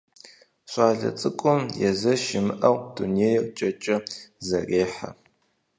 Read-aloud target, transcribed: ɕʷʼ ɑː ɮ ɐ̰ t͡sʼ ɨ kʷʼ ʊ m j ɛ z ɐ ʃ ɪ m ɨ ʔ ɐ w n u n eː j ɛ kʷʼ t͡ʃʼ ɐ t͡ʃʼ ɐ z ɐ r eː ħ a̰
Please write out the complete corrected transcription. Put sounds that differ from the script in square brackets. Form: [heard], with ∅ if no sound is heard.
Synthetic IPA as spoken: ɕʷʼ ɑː ɮ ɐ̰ t͡sʼ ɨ kʷʼ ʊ m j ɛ z ɐ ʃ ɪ m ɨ ʔ ɐ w [d] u n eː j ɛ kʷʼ t͡ʃʼ ɐ t͡ʃʼ ɐ z ɐ r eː ħ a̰